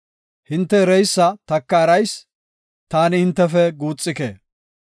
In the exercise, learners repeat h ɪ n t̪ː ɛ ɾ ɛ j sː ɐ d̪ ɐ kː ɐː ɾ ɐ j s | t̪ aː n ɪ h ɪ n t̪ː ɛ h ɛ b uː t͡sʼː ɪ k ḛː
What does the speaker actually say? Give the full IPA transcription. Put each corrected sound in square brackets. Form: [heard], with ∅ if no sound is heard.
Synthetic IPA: h ɪ n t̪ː ɛ ɾ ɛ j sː ɐ [t̪] ɐ kː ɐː ɾ ɐ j s | t̪ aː n ɪ h ɪ n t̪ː ɛ [f] ɛ [ɡ] uː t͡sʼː ɪ k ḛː